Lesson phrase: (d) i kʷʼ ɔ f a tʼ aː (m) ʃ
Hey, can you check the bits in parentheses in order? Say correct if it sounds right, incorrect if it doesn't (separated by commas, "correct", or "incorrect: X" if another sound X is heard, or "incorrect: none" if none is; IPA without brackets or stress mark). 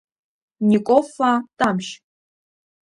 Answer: incorrect: n, correct